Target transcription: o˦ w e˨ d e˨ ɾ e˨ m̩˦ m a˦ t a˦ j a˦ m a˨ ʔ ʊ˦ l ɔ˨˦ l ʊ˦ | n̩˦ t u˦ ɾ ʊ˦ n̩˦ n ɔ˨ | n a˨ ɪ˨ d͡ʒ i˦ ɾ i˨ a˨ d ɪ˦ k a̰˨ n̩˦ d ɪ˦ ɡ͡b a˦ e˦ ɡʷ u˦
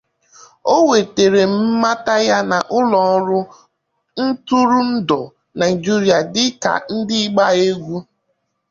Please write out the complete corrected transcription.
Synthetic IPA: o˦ w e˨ t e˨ ɾ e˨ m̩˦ m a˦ t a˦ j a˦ n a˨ ʔ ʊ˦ l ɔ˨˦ ɾ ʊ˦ | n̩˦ t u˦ ɾ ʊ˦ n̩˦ d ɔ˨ | n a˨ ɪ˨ d͡ʒ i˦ ɾ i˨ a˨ d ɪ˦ k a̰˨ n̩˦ d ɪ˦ ɡ͡b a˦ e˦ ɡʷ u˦

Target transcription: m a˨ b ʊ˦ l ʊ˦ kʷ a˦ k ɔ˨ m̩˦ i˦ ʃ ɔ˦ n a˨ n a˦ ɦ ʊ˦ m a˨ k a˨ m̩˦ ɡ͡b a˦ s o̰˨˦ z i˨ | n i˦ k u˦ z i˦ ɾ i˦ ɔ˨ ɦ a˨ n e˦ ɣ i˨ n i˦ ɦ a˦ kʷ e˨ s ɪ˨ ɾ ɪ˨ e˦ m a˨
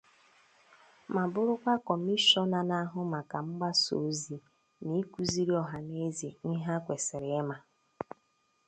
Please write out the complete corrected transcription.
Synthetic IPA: m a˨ b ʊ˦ ɾ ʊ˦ kʷ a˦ k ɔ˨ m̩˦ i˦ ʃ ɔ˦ n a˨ n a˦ ɦ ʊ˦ m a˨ k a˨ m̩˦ ɡ͡b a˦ s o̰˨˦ z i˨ | n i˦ k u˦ z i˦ ɾ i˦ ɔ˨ ɦ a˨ n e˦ z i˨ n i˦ ɦ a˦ kʷ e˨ s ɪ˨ ɾ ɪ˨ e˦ m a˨

